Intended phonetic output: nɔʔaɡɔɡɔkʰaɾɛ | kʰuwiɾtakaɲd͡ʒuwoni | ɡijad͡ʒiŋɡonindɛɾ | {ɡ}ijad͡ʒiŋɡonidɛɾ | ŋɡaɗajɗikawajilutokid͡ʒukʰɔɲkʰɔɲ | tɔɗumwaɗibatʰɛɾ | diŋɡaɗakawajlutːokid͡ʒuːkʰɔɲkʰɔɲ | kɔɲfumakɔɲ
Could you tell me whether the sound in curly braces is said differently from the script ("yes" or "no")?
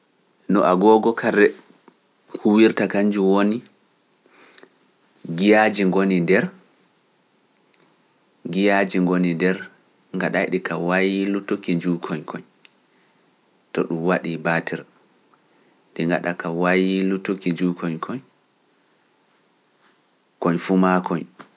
no